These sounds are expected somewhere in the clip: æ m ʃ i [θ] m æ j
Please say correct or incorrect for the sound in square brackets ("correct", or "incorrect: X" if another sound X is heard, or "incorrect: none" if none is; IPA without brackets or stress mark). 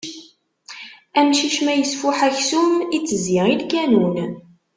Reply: incorrect: ʃ